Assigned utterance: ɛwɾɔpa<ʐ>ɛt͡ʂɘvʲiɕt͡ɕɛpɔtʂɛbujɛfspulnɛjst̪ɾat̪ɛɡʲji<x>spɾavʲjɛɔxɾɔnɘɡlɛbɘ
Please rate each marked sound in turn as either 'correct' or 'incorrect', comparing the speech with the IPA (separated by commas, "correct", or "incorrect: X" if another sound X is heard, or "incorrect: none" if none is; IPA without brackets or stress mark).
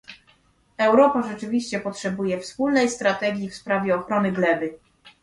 correct, incorrect: f